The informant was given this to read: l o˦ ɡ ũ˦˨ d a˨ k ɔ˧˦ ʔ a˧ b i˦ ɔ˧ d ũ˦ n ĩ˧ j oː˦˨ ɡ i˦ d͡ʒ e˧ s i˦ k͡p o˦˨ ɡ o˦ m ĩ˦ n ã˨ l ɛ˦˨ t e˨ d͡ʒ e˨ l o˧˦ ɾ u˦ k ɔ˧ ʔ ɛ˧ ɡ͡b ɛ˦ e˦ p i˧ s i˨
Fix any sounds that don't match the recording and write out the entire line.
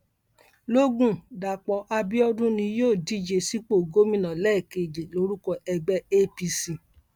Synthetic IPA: l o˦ ɡ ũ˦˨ d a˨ k͡p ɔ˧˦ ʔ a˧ b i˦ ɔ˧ d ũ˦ n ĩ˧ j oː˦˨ d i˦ d͡ʒ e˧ s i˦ k͡p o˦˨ ɡ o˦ m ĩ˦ n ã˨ l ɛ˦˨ k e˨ d͡ʒ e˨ l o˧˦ ɾ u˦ k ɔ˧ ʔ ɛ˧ ɡ͡b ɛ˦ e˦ p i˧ s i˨